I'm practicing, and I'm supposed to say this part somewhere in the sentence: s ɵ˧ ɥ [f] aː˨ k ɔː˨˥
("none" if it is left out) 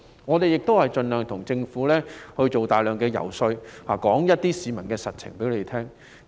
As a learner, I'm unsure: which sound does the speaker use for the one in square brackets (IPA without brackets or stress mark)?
h